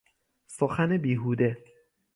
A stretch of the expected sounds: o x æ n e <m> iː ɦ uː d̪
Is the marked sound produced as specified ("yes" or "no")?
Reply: no